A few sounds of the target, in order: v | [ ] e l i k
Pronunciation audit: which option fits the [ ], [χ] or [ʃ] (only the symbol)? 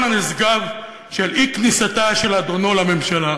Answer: ʃ